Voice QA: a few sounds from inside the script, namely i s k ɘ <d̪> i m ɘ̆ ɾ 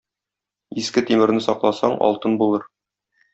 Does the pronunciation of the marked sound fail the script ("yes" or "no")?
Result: yes